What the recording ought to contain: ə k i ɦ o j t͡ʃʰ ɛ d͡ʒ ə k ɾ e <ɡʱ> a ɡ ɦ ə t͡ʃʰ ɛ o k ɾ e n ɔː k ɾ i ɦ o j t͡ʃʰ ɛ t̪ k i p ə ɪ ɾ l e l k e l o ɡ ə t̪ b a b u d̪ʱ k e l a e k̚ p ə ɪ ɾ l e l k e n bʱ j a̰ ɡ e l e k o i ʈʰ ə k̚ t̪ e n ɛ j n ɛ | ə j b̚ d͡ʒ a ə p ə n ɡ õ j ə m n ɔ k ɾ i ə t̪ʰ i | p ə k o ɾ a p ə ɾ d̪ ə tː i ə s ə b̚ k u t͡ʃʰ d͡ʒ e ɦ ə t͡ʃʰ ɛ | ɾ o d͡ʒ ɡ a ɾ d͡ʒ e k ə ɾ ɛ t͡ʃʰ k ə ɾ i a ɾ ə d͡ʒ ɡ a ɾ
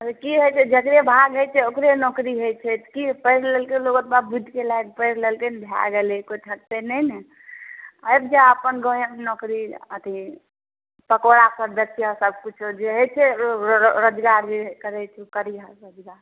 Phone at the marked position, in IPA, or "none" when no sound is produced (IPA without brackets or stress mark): bʱ